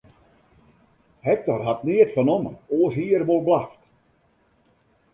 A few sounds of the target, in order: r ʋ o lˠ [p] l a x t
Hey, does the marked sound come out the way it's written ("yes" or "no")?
no